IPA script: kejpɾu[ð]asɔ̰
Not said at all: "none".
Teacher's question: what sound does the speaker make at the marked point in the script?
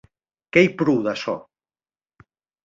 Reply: ð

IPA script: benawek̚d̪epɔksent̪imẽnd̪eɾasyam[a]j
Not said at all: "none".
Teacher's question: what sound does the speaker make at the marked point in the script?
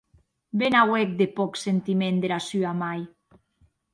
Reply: a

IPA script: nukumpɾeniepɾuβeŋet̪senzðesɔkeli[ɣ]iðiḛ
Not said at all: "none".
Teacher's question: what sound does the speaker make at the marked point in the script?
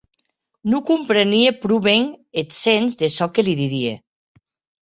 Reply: ð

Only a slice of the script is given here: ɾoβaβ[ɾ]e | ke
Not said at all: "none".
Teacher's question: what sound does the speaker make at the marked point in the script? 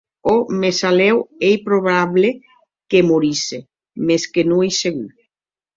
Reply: l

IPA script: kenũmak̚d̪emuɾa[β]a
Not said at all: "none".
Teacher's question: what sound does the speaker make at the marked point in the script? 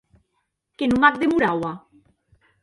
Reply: w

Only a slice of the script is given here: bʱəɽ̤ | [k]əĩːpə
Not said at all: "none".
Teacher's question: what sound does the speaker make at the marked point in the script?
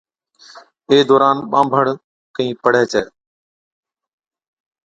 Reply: k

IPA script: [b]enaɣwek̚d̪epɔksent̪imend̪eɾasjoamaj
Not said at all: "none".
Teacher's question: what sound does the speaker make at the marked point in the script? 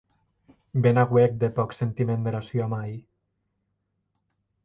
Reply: b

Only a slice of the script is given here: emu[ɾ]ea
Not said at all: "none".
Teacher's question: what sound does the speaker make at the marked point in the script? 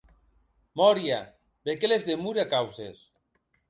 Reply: ɾ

